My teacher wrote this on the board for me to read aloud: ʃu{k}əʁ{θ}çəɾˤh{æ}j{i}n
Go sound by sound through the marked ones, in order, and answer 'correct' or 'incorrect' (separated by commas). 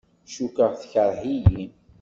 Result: correct, correct, incorrect, correct